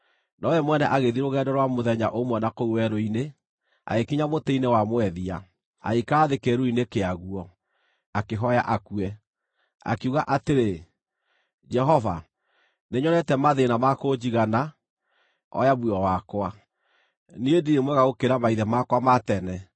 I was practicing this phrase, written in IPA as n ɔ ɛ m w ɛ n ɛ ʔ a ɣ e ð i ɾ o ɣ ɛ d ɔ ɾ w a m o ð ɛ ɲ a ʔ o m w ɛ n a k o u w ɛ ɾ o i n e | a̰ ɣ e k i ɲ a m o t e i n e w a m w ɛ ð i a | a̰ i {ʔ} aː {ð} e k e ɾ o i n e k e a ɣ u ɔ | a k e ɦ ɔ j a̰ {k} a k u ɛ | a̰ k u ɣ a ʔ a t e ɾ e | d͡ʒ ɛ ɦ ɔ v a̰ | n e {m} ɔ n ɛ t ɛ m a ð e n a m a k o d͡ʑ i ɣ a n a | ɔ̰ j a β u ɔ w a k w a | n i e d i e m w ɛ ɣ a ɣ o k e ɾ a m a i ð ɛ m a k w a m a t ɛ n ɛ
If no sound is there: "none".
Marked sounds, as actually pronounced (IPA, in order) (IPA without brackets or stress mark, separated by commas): k, ð, ʔ, ɲ